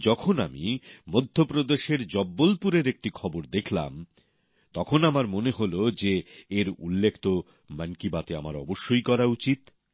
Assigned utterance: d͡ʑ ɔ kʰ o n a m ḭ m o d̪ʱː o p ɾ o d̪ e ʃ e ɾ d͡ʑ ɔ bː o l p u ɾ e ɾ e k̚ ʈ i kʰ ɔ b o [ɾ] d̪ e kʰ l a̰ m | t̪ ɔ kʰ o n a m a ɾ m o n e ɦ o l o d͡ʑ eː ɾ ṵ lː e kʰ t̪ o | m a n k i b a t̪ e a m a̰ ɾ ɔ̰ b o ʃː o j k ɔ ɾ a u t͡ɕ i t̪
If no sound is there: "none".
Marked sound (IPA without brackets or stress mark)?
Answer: ɾ